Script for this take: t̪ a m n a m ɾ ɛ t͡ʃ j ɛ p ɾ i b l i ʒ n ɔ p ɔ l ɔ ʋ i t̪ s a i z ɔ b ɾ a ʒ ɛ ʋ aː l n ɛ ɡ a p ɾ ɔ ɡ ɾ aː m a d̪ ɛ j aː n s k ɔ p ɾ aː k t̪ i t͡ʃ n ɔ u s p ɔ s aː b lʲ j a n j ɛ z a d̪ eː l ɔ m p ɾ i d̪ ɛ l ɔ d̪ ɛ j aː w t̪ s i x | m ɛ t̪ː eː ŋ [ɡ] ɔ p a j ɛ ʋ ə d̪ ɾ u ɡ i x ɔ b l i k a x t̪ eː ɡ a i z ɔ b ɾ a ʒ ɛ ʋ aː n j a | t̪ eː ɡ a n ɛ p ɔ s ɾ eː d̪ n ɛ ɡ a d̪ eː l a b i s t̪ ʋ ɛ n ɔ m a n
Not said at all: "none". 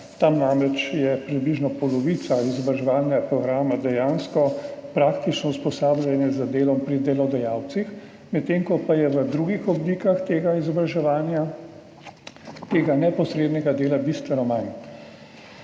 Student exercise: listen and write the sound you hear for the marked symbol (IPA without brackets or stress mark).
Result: k